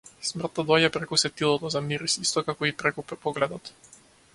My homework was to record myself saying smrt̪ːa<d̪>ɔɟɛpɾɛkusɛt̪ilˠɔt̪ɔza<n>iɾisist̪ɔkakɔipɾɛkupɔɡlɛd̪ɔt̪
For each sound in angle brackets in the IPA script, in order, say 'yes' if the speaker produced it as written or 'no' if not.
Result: yes, no

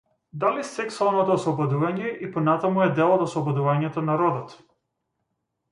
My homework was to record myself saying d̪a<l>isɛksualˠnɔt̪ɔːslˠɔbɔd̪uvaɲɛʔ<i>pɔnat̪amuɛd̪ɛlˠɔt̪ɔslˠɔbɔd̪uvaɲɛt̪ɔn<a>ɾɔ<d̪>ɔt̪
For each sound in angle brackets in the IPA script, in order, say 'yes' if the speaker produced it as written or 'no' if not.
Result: yes, yes, yes, yes

